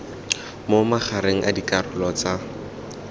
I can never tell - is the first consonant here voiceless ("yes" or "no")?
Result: no